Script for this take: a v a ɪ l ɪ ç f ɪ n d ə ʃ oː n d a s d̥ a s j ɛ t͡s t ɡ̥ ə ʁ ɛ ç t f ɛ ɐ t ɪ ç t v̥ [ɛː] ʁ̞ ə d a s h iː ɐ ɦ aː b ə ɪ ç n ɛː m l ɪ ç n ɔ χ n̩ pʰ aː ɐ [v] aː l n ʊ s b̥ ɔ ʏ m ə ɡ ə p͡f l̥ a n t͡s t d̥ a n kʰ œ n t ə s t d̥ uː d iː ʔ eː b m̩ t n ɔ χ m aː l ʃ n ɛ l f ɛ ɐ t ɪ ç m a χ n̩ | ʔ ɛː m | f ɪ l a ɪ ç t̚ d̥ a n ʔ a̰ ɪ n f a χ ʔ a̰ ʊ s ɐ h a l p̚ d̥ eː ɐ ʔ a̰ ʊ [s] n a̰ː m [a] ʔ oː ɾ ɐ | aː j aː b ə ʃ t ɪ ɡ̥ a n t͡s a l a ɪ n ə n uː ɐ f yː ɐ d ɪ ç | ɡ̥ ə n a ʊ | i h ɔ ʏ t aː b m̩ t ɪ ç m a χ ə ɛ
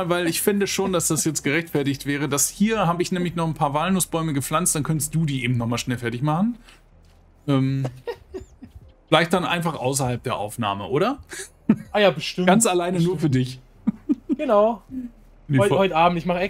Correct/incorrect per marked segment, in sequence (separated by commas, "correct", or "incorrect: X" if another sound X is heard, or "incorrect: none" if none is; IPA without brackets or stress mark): correct, correct, incorrect: f, incorrect: ə